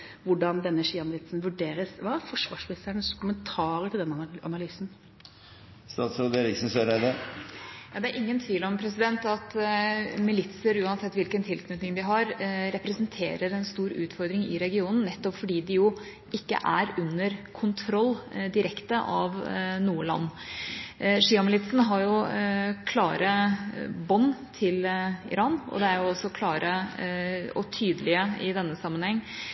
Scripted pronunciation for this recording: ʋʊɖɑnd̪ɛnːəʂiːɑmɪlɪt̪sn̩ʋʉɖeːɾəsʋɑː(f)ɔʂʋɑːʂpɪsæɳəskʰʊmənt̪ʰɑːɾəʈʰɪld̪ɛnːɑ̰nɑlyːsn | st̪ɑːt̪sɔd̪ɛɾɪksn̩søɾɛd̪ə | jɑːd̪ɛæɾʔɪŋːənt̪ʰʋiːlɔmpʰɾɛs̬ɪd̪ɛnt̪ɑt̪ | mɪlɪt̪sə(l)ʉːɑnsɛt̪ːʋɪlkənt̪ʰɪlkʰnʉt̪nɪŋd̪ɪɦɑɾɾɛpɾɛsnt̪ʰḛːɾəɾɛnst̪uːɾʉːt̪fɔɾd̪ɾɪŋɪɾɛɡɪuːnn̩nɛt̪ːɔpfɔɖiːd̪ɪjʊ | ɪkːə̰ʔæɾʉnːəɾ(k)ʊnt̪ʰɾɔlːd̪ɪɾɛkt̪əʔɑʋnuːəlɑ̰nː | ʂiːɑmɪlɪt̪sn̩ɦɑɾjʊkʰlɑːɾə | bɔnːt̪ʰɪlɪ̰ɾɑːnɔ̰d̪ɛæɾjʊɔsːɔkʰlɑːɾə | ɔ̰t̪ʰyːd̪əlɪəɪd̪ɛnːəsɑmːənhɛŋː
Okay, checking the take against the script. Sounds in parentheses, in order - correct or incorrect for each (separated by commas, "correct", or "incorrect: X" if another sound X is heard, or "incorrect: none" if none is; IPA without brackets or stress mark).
correct, incorrect: ɾ, incorrect: kʰ